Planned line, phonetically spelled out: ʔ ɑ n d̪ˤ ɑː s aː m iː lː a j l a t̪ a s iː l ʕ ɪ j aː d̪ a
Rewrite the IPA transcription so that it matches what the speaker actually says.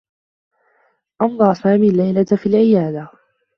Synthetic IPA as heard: ʔ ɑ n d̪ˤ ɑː s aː m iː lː a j l a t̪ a f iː l ʕ ɪ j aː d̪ a